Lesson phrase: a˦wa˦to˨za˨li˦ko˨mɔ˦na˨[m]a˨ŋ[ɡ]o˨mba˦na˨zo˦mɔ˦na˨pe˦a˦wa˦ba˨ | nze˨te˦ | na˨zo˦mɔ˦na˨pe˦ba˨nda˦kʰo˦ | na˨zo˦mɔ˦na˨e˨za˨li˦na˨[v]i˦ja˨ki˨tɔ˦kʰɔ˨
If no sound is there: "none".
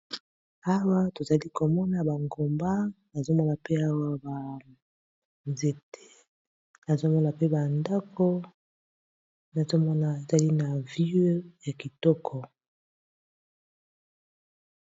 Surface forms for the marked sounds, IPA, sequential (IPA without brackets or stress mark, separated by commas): b, ɡ, v